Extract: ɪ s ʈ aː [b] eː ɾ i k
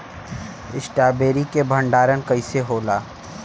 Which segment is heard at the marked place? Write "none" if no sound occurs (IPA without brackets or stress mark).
b